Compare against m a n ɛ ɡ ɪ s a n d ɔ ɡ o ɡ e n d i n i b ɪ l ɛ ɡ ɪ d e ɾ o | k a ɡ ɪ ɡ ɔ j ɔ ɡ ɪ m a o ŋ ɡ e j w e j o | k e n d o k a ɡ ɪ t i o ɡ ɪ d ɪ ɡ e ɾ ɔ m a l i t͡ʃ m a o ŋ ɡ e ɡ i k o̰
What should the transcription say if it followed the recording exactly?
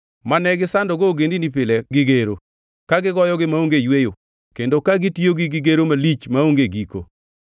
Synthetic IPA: m a n ɛ ɡ ɪ s a n d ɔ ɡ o ɡ e n d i n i p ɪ l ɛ ɡ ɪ ɡ e ɾ o | k a ɡ ɪ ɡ ɔ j ɔ ɡ ɪ m a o ŋ ɡ e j w e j o | k e n d o k a ɡ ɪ t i o ɡ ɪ ɡ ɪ ɡ e ɾ o m a l i t͡ʃ m a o ŋ ɡ e ɡ i k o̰